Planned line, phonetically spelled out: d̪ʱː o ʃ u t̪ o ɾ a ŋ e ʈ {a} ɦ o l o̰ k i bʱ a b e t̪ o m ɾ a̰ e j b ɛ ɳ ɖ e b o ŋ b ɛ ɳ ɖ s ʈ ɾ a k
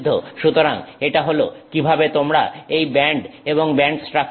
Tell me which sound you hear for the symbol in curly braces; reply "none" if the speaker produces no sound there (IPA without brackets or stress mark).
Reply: a